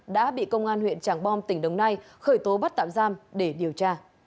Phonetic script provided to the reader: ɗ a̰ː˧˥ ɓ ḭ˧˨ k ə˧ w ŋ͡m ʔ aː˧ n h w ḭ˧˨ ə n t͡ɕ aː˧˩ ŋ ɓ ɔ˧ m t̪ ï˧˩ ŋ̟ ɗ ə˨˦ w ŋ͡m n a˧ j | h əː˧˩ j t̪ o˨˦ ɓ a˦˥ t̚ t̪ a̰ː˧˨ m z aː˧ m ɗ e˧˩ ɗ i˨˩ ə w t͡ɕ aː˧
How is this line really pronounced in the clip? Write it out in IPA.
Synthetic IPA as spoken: ɗ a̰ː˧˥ ɓ ḭ˧˨ k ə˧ w ŋ͡m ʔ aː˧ n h w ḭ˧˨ ə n t͡ɕ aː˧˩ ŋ ɓ ɔ˧ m t̪ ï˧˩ ŋ̟ ɗ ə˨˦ w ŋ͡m n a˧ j | x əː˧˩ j t̪ o˨˦ ɓ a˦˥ t̚ t̪ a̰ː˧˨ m z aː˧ m ɗ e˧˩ ɗ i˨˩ ə w t͡ɕ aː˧

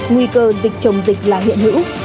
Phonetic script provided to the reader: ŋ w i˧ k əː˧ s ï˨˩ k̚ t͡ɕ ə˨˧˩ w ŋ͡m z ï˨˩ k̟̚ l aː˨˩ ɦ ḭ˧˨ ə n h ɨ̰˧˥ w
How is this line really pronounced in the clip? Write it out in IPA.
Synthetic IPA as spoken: ŋ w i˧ k əː˧ z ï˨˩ k̚ t͡ɕ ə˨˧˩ w ŋ͡m z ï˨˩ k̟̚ l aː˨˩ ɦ ḭ˧˨ ə n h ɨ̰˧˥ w

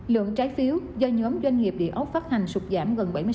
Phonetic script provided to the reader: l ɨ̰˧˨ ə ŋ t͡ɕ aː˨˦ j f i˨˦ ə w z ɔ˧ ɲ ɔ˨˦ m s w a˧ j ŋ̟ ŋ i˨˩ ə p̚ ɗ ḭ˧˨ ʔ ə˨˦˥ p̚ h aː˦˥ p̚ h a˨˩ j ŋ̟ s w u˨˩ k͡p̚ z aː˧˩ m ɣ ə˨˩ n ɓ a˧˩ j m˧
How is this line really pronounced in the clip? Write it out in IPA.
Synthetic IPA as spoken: l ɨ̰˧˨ ə ŋ t͡ɕ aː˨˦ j f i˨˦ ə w z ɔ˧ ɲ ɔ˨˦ m z w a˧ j ŋ̟ ŋ i˨˩ ə p̚ ɗ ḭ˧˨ ʔ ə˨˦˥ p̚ f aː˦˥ t̚ h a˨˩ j ŋ̟ s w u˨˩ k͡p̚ z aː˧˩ m ɣ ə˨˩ n ɓ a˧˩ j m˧

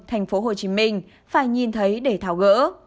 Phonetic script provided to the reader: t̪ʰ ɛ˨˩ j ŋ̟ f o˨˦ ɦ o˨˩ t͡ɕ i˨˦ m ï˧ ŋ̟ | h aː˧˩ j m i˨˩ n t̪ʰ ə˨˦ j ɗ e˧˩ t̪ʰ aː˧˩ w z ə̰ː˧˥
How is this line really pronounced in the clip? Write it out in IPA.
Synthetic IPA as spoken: t̪ʰ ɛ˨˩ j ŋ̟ f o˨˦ ɦ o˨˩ t͡ɕ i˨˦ m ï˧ ŋ̟ | f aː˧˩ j ɲ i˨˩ n t̪ʰ ə˨˦ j ɗ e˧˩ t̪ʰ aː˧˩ w ɣ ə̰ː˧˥

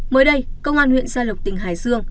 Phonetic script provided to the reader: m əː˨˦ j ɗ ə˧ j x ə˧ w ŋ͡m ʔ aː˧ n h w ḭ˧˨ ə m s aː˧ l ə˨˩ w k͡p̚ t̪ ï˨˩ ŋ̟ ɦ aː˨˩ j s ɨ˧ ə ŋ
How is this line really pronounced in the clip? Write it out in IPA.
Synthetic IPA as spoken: m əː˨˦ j ɗ ə˧ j k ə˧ w ŋ͡m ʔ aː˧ n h w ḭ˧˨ ə n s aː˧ l ə˨˩ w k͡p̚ t̪ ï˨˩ ŋ̟ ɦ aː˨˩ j s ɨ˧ ə ŋ

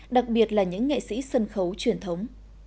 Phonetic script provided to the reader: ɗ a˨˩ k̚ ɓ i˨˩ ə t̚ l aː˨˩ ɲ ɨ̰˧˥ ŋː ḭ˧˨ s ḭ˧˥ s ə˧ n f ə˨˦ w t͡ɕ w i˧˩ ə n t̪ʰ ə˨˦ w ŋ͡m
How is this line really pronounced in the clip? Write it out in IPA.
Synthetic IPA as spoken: ɗ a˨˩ k̚ ɓ i˨˩ ə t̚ l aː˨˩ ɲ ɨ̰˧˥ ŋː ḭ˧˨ s ḭ˧˥ s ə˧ n x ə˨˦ w t͡ɕ w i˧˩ ə n t̪ʰ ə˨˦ w ŋ͡m

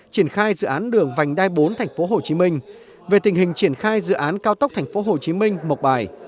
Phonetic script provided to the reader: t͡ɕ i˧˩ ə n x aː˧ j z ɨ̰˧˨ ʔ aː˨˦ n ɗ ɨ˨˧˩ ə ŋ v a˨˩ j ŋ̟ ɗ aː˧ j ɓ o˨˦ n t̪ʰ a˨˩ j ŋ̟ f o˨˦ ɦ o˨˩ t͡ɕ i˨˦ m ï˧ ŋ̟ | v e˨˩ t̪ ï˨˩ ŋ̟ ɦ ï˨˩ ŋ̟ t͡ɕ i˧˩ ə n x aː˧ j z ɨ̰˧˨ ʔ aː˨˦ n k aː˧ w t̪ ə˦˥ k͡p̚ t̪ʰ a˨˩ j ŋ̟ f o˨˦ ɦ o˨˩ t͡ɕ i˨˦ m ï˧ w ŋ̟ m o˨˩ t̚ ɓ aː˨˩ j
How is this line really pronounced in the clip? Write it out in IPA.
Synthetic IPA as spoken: t͡ɕ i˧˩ ə n x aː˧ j z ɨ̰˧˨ ʔ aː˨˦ n ɗ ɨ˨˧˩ ə ŋ v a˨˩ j ŋ̟ ɗ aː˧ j ɓ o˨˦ n t̪ʰ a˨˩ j ŋ̟ f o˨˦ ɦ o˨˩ t͡ɕ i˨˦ m ï˧ ŋ̟ | v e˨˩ t̪ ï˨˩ ŋ̟ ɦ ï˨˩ ŋ̟ t͡ɕ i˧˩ ə n x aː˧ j z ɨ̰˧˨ ʔ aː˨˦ n k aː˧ w t̪ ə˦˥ k͡p̚ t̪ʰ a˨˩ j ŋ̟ f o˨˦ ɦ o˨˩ t͡ɕ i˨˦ m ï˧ ŋ̟ m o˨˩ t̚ ɓ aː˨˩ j

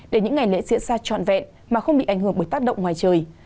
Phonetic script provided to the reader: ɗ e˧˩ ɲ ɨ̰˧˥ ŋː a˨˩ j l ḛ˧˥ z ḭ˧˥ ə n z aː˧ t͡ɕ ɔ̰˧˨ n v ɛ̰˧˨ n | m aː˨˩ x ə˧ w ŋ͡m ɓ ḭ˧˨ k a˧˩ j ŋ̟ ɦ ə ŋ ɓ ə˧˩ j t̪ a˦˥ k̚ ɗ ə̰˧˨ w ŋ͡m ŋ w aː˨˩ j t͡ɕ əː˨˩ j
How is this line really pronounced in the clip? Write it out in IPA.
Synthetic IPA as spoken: ɗ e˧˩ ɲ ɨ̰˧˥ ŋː a˨˩ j l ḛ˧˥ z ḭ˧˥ ə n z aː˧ t͡ɕ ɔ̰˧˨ n v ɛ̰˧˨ n | m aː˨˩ x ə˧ w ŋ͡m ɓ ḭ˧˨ ʔ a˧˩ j ŋ̟ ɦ ə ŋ ɓ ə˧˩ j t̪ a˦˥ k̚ ɗ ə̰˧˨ w ŋ͡m ŋ w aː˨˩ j t͡ɕ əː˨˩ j

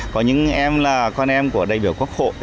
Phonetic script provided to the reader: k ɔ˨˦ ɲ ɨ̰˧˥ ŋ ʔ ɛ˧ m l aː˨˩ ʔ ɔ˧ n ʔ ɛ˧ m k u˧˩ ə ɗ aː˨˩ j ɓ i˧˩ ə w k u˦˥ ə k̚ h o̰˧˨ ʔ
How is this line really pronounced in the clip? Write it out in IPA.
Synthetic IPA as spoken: k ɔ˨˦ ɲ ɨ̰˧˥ ŋ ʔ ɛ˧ m l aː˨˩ k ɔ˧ n ʔ ɛ˧ m k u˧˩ ə ɗ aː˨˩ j ɓ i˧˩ ə w k u˦˥ ə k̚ h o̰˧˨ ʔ

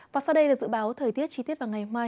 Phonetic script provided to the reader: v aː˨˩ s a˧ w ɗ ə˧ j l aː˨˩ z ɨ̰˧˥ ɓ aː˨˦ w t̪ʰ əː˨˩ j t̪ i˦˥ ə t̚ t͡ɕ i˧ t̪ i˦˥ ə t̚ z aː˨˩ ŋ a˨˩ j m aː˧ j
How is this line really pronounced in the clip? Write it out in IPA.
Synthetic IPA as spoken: v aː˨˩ s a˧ w ɗ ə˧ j l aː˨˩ z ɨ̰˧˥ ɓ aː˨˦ w t̪ʰ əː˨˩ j t̪ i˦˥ ə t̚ t͡ɕ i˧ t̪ i˦˥ ə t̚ v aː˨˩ ŋ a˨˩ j m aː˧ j

